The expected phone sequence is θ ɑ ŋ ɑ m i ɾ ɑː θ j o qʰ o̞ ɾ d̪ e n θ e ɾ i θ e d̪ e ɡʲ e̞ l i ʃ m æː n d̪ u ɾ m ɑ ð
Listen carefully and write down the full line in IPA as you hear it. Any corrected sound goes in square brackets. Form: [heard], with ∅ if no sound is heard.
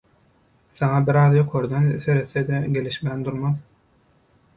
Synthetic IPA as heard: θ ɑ ŋ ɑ [b] i ɾ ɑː [ð] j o qʰ o̞ ɾ d̪ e n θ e ɾ [e] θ e d̪ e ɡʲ e̞ l i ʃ m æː n d̪ u ɾ m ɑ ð